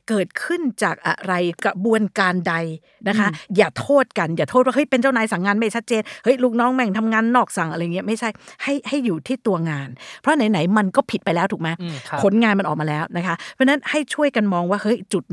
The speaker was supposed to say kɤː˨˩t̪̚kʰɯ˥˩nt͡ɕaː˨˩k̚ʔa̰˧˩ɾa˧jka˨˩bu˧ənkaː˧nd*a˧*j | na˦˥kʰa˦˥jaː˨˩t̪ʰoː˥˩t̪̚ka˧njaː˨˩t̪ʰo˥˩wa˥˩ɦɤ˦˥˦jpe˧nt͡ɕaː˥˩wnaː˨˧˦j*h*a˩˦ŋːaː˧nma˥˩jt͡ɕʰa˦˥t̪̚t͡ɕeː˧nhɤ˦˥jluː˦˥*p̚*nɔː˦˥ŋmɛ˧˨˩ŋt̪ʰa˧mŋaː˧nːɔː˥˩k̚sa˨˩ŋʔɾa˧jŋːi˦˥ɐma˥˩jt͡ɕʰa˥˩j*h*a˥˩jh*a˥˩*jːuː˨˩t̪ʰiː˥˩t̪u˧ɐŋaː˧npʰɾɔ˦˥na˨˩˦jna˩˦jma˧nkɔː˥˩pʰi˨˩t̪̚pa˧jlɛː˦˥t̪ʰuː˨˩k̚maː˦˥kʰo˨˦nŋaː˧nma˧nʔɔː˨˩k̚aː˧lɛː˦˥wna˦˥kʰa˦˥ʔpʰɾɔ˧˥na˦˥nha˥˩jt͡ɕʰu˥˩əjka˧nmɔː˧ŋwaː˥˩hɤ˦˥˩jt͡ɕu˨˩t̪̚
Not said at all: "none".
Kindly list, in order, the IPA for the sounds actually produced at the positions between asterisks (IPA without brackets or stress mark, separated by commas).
a˧, s, k̚, h, a˥˩